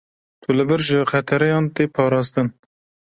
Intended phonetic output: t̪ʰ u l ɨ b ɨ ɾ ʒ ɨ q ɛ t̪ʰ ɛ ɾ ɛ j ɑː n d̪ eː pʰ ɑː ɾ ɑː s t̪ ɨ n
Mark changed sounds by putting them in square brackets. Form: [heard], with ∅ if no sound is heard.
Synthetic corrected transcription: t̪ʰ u l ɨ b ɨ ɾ ʒ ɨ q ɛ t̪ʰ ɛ ɾ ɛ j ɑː n [t̪] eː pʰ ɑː ɾ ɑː s t̪ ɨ n